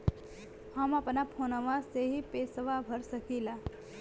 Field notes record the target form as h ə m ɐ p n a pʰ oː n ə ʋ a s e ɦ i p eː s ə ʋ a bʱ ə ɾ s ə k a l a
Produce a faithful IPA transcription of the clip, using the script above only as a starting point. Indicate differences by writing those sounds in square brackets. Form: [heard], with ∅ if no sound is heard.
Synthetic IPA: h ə m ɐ p n a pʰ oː n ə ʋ a s e ɦ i p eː s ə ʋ a bʱ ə ɾ s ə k [i] l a